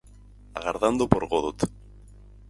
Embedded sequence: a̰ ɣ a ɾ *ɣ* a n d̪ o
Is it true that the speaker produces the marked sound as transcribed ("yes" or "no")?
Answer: no